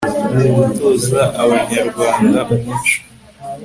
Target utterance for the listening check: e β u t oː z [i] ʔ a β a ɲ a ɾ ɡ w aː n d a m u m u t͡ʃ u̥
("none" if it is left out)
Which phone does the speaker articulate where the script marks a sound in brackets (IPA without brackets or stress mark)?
a